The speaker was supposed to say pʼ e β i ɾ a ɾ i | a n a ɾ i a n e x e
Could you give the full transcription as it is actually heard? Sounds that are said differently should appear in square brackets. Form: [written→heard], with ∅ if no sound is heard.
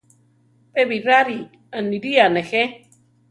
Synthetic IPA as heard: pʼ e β i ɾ a ɾ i | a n [a→i] ɾ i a n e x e